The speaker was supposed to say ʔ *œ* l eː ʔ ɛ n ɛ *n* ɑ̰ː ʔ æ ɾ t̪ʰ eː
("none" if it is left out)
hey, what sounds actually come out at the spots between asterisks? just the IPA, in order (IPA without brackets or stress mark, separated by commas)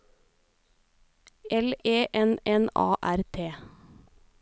ɛ, n